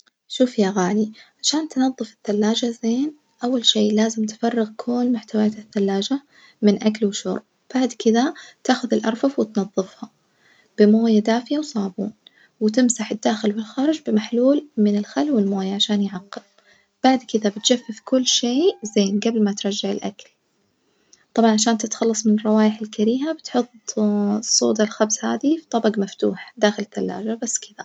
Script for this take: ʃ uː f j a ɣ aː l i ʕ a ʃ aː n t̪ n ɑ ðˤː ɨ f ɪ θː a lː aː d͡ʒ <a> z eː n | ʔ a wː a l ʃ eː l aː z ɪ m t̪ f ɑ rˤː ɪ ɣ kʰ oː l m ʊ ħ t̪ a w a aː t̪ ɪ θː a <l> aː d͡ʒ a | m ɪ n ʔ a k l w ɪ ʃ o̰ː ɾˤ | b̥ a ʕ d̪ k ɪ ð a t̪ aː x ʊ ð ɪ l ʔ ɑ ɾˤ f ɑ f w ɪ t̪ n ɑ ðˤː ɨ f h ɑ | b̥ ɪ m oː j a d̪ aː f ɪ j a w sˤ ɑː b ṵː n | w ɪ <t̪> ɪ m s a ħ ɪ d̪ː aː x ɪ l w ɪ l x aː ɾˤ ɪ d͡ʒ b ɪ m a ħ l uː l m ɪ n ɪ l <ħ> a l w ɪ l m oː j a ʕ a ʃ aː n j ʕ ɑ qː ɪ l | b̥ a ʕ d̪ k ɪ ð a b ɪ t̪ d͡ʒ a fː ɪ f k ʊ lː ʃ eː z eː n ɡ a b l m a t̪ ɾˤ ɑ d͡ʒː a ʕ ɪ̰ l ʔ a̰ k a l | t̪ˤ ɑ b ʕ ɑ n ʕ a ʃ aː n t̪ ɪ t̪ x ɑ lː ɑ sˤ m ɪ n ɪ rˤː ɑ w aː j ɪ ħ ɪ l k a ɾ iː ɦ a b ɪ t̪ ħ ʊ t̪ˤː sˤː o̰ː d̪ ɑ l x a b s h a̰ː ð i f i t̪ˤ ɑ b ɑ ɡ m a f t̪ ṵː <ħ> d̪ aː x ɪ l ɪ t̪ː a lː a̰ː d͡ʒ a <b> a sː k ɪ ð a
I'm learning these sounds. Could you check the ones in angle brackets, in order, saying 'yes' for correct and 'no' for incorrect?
yes, no, yes, no, yes, yes

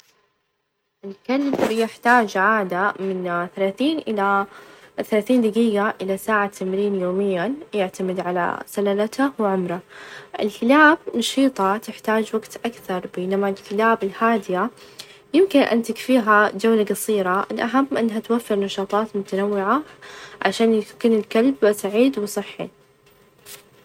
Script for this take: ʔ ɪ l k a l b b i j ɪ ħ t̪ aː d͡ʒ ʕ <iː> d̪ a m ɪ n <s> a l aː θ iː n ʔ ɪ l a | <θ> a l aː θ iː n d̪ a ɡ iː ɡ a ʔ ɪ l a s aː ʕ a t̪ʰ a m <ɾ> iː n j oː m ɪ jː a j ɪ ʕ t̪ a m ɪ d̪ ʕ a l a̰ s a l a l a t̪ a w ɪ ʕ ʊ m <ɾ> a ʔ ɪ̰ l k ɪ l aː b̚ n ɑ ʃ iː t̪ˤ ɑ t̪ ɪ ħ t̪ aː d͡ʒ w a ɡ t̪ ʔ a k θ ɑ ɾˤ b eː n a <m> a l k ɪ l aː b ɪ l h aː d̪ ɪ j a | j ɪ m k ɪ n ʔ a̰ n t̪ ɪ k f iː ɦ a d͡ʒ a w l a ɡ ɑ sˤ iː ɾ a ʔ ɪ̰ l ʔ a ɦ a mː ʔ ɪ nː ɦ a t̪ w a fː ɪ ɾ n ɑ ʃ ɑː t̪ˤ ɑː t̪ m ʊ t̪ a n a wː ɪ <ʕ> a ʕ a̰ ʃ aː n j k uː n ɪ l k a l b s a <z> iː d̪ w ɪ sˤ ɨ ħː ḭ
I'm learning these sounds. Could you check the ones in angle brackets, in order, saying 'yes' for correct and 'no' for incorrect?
no, no, yes, yes, yes, yes, yes, no

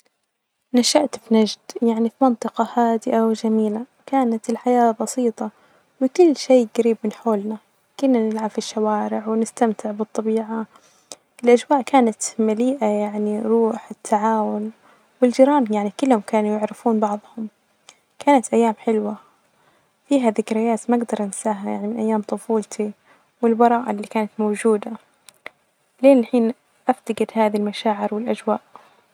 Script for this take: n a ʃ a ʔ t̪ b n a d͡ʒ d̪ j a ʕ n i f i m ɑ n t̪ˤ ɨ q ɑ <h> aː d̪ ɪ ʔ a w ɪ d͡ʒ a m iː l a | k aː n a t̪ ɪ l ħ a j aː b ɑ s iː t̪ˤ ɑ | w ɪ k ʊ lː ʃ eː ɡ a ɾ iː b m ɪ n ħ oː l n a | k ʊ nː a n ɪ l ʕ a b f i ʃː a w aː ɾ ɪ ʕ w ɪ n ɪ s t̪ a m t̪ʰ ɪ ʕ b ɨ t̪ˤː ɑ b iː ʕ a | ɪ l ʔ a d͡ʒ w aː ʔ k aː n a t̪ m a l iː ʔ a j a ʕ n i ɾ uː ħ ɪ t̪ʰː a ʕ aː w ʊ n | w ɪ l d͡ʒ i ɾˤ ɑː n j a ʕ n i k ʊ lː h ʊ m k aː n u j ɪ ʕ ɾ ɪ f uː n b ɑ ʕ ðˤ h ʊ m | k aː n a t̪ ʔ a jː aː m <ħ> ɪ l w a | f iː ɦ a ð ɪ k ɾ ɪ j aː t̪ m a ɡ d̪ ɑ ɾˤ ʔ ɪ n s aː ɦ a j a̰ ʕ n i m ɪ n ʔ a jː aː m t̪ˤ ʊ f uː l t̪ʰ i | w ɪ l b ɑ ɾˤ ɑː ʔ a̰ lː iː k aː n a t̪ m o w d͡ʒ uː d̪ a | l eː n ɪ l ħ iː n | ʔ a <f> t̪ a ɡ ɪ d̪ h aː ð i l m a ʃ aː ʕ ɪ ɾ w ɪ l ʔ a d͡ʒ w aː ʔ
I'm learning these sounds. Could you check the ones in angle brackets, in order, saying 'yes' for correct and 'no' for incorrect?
yes, yes, yes

